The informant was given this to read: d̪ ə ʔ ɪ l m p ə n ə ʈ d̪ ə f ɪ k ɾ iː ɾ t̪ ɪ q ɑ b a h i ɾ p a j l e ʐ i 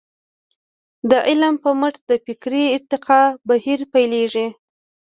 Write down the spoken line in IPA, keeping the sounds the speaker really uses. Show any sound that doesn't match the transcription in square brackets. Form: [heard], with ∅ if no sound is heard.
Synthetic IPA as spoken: d̪ ə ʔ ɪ l m p ə [m] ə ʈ d̪ ə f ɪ k ɾ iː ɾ t̪ ɪ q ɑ b a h i ɾ p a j l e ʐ i

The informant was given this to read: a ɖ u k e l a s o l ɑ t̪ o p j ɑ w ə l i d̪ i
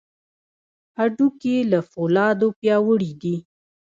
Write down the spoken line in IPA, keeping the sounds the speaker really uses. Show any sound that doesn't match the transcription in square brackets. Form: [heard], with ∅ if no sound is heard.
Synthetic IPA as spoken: a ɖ u k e l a [f] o l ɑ [d̪] o p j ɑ w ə [ɽ] i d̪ i

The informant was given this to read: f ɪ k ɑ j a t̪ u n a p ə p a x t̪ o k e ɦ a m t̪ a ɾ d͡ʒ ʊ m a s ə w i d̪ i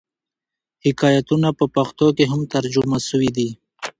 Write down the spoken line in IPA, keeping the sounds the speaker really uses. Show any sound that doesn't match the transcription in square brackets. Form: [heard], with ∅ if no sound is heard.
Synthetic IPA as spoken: [h] ɪ k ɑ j a t̪ u n a p ə p a x t̪ o k e ɦ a m t̪ a ɾ d͡ʒ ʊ m a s ə w i d̪ i

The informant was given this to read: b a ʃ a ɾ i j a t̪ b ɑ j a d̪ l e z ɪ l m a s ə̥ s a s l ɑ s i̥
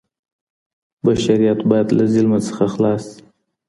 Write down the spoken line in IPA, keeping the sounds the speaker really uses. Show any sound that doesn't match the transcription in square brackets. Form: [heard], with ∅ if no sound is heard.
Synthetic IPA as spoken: b a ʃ a ɾ i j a t̪ b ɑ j a d̪ l [a] z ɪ l m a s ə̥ [x] a [x] l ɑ s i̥

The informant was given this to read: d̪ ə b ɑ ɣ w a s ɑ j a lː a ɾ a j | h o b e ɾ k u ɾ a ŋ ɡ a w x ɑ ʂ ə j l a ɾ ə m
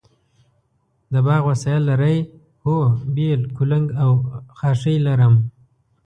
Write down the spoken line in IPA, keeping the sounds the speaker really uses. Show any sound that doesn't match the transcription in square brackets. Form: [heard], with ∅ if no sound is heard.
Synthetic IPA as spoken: d̪ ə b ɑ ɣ w a s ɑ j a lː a ɾ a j | h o b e [l] k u [l] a ŋ ɡ a w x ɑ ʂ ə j l a ɾ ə m

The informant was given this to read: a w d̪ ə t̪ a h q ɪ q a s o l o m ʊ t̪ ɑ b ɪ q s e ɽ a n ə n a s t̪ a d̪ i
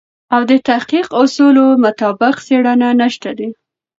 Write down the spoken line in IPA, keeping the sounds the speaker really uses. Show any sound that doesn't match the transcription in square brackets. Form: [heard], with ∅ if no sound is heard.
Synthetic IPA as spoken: a w d̪ ə t̪ a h q [i] q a s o l o m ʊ t̪ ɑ b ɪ q s e ɽ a n [a] n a [ʃ] t̪ a d̪ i

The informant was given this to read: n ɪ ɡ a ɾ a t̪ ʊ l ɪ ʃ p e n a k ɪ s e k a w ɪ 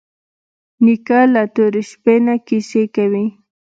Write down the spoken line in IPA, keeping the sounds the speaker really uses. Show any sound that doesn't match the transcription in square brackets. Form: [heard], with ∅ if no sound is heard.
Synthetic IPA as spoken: n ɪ [k] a [l] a t̪ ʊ [ɾ] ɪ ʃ p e n a k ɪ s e k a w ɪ

